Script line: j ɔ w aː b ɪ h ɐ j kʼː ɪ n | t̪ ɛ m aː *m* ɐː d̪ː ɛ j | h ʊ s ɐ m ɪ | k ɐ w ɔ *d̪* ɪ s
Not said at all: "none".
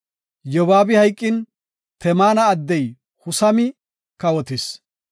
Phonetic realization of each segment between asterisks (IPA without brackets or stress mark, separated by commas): n, t̪